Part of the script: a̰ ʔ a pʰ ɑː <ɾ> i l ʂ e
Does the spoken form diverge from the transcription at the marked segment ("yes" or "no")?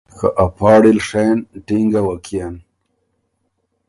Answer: yes